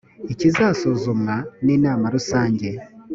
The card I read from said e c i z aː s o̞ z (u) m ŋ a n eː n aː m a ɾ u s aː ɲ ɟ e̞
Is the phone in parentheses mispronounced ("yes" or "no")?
yes